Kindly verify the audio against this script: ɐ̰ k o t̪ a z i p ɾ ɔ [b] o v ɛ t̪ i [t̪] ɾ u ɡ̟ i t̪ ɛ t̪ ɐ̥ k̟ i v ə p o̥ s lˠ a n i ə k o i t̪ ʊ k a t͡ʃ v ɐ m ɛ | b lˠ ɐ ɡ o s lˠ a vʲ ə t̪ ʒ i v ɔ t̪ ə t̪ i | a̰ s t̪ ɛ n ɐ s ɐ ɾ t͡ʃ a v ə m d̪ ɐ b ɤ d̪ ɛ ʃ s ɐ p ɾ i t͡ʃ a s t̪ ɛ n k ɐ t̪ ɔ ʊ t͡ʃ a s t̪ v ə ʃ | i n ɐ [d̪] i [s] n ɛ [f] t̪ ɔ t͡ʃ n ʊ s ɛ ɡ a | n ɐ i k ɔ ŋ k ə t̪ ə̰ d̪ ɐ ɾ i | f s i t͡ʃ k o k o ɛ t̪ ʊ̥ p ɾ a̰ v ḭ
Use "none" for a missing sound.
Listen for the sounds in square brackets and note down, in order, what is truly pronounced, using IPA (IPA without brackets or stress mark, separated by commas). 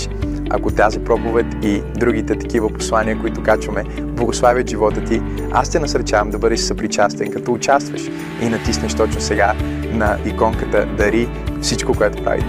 p, d̪, t̪, s, ʃ